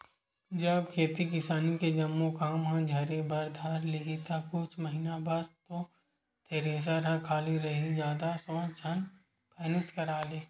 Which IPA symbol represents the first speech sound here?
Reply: d͡ʒ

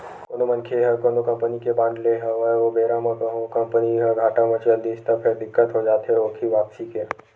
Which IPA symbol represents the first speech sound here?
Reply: k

